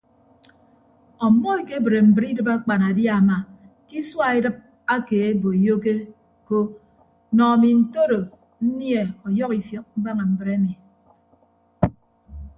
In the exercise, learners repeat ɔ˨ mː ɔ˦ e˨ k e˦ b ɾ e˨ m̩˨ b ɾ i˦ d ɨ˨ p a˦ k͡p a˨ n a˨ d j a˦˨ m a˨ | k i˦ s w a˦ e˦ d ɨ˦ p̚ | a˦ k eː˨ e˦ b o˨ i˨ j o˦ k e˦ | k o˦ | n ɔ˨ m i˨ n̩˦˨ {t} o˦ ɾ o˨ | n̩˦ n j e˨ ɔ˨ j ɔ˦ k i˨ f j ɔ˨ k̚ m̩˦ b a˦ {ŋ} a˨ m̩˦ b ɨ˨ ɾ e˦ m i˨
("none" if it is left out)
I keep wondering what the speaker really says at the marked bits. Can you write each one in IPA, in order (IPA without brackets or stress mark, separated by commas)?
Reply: t, ŋ